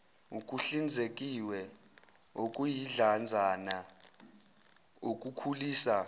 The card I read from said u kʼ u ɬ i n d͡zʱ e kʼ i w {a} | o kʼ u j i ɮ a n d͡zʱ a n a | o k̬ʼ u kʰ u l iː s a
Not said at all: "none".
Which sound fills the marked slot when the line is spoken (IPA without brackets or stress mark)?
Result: ɛ